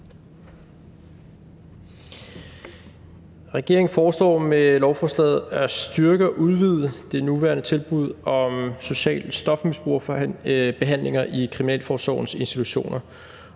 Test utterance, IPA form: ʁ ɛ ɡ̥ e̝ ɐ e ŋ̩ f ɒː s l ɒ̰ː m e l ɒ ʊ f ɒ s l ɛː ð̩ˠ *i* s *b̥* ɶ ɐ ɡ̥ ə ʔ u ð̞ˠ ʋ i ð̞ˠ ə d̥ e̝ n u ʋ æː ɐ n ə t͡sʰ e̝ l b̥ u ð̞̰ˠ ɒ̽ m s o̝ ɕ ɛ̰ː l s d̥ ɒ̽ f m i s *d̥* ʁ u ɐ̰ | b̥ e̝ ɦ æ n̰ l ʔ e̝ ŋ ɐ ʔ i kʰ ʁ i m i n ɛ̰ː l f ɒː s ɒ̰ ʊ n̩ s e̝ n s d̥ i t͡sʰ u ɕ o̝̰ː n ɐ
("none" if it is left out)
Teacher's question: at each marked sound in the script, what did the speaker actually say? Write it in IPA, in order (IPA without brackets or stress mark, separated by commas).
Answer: æ, d̥, b̥